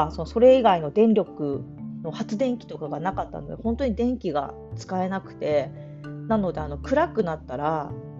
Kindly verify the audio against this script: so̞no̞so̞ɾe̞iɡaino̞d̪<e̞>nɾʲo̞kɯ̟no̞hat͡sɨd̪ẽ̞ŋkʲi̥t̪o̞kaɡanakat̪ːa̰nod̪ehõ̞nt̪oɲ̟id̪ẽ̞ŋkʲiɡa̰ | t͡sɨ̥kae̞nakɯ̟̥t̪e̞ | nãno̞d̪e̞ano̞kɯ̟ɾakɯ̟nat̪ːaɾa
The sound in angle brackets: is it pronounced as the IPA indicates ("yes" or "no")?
no